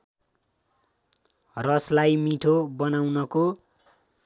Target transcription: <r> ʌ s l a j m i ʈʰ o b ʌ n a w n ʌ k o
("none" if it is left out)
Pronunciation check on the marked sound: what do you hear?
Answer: r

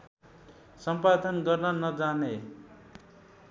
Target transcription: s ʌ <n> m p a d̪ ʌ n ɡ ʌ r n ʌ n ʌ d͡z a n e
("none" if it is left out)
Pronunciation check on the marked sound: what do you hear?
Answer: none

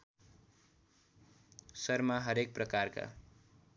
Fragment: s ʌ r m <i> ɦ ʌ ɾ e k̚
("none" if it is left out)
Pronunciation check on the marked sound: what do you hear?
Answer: a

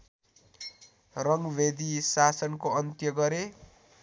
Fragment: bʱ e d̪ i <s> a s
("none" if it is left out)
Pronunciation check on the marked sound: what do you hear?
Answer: s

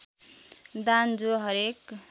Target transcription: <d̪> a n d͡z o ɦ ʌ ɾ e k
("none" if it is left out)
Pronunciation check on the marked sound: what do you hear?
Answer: d̪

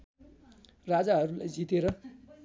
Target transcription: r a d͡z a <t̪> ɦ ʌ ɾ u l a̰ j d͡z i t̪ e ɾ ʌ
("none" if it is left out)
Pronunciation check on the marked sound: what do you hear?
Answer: none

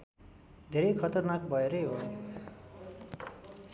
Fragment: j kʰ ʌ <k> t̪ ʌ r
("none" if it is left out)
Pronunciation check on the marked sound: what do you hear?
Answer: none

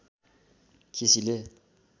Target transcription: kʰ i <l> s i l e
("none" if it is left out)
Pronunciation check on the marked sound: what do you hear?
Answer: none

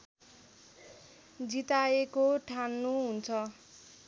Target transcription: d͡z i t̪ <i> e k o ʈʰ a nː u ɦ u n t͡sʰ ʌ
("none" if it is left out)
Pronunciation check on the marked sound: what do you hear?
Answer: a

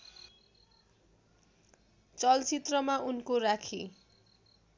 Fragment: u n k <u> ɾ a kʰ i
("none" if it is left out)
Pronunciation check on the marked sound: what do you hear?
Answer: o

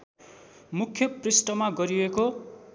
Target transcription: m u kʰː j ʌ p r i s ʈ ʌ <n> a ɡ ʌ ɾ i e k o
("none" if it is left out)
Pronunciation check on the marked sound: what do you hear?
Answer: m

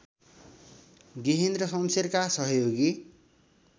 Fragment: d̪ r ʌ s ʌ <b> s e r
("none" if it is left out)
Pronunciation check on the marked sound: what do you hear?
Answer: m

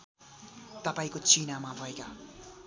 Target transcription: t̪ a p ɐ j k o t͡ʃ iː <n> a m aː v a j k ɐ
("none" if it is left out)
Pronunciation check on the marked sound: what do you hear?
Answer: n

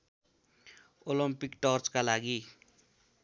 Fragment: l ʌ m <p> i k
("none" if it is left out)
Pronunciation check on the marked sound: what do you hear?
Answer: p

